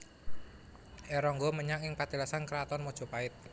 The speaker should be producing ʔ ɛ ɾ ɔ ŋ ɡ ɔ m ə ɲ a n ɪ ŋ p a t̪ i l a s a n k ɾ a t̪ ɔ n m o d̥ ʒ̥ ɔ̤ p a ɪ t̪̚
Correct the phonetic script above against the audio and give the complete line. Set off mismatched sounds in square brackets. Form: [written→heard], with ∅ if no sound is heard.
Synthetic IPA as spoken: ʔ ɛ ɾ ɔ ŋ ɡ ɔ m ə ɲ a [n→ŋ] ɪ ŋ p a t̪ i l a s a n k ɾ a t̪ ɔ n m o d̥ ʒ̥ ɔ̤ p a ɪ t̪̚